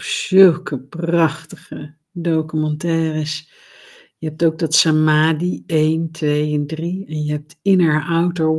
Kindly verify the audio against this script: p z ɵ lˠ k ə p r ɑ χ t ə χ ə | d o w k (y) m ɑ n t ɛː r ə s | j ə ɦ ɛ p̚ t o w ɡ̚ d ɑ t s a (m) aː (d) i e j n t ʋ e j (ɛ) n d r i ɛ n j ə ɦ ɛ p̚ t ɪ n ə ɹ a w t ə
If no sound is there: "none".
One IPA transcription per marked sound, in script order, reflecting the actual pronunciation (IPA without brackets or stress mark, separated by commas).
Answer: y, m, d, ɛ